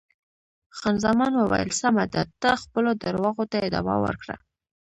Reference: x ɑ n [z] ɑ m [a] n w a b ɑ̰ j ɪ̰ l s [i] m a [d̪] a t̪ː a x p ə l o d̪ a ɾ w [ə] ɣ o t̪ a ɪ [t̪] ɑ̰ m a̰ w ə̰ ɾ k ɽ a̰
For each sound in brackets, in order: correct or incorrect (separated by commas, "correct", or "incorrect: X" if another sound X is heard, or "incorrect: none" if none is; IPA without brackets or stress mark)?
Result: correct, incorrect: ɑ, incorrect: a, correct, incorrect: ɑ, incorrect: d̪